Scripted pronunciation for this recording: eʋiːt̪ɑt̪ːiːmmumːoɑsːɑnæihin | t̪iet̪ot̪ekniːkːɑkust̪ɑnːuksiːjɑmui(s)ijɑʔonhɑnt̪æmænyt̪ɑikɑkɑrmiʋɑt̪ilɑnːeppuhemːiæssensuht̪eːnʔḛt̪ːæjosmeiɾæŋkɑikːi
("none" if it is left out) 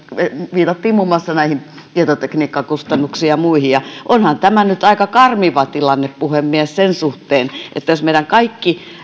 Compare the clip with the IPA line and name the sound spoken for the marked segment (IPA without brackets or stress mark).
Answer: h